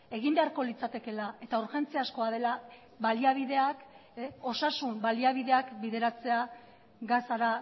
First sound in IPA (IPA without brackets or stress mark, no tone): e̞